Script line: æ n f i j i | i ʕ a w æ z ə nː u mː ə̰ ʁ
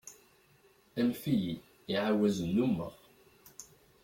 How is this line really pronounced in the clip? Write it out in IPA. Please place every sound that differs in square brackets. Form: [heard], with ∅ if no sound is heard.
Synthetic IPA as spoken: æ n f i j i | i ʕ a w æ z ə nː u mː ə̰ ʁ

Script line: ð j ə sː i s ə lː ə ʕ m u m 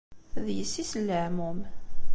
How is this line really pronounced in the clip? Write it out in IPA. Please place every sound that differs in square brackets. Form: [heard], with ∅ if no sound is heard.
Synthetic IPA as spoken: ð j ə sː i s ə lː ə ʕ m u m

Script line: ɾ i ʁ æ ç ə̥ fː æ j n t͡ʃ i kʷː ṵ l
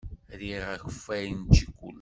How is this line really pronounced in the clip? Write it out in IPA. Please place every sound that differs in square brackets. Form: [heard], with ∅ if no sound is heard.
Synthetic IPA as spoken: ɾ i ʁ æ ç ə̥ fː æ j n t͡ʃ i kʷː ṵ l

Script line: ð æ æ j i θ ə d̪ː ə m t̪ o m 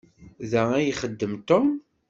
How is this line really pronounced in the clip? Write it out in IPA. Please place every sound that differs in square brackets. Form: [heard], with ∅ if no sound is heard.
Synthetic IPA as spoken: ð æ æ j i [χ] ə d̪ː ə m t̪ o m

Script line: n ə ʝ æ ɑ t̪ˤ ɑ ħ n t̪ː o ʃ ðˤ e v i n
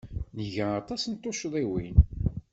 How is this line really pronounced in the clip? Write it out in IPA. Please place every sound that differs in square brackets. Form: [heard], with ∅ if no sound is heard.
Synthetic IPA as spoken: n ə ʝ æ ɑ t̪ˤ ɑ [s] n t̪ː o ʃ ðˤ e [w] i n

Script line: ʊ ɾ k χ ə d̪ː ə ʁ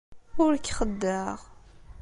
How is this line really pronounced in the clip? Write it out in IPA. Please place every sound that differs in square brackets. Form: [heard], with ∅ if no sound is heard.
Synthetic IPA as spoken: ʊ ɾ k χ ə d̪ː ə ʁ

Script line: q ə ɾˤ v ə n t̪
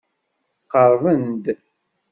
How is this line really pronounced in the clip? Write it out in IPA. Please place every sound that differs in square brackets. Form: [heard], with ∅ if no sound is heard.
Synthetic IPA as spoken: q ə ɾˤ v ə n [d̪]

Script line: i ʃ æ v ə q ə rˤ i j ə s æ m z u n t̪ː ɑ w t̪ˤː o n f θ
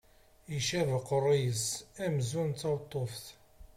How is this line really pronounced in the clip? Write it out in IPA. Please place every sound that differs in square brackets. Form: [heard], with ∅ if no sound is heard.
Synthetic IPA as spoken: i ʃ æ v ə q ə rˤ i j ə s æ m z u n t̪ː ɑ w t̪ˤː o [∅] f θ

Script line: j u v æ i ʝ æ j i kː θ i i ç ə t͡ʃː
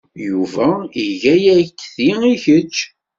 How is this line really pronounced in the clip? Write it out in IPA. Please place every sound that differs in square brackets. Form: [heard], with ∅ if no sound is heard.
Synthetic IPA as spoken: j u v æ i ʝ æ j [æ] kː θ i i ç ə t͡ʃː

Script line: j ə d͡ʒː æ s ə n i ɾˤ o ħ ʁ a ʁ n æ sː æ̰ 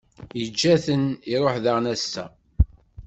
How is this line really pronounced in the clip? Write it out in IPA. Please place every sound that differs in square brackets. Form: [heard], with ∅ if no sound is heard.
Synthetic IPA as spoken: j ə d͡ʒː æ [θ] ə n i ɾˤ o ħ [ð] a ʁ n æ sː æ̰

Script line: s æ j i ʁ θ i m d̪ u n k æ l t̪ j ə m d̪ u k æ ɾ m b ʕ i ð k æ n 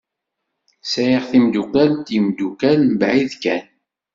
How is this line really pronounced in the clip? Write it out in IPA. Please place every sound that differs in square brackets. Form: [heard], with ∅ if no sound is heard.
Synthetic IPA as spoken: s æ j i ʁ θ i m d̪ u [∅] k æ l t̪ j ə m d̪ u k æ [l] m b ʕ i ð k æ n

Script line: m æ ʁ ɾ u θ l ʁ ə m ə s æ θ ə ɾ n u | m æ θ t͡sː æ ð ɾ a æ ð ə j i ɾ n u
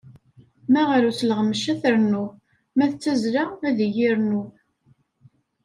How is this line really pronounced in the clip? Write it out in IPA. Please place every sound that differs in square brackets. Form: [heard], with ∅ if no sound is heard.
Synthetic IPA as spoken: m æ ʁ ɾ u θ l ʁ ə m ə [ʃ] æ θ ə ɾ n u | m æ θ t͡sː æ [z] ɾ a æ ð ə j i ɾ n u

